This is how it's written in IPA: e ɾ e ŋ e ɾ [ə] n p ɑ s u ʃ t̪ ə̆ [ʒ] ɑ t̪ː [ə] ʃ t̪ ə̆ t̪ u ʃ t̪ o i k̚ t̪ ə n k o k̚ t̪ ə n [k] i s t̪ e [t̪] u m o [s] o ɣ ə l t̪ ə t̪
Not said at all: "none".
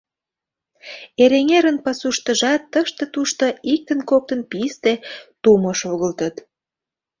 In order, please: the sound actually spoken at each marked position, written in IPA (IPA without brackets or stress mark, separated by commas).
ə, ʒ, ə, p, t̪, ʃ